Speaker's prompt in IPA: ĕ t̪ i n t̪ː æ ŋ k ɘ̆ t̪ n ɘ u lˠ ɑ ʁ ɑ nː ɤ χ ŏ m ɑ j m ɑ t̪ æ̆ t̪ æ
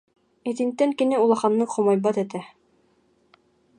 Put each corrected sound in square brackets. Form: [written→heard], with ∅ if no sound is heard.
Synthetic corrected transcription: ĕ t̪ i n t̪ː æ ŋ k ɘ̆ [t̪→∅] n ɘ u lˠ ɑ [ʁ→χ] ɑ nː ɤ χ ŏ m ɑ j [m→b] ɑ t̪ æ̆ t̪ æ